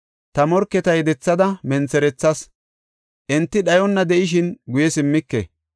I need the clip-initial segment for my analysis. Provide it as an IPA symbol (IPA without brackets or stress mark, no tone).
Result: t̪